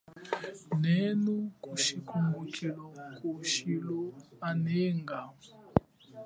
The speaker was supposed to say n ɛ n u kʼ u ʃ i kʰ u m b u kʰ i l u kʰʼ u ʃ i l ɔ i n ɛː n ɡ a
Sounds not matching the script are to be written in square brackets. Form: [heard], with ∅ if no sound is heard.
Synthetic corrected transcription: n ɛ n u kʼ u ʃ i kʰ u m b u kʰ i l [ɔ] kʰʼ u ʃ i l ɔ [a] n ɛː [ŋ] ɡ a